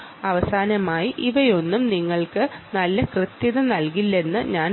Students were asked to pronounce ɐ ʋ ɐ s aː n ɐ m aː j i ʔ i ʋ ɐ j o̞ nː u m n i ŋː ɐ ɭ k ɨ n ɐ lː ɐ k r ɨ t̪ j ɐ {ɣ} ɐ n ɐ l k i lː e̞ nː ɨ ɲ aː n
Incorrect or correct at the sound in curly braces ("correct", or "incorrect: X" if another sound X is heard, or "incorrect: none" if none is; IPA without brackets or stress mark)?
incorrect: ð